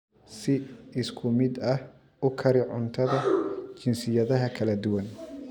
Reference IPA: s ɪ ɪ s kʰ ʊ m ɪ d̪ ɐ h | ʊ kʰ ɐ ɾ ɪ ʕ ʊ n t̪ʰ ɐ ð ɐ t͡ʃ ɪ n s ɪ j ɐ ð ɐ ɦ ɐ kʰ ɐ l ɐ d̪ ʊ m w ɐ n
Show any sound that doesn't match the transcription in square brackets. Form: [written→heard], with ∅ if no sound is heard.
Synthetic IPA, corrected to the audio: s ɪ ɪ s kʰ ʊ m ɪ d̪ ɐ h | ʊ kʰ ɐ ɾ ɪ ʕ ʊ n t̪ʰ ɐ ð ɐ t͡ʃ ɪ n s ɪ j ɐ ð ɐ ɦ ɐ kʰ ɐ l ɐ d̪ ʊ [m→∅] w ɐ n